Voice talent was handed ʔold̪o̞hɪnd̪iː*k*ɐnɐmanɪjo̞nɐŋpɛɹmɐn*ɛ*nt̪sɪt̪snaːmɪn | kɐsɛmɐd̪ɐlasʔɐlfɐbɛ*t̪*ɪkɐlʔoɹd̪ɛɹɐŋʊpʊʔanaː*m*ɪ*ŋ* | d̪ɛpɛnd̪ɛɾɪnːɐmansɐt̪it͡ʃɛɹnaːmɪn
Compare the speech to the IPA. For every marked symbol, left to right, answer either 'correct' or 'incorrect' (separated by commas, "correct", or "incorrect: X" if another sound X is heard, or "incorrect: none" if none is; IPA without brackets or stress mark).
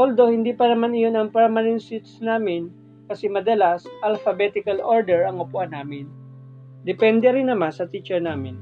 incorrect: p, correct, correct, correct, incorrect: n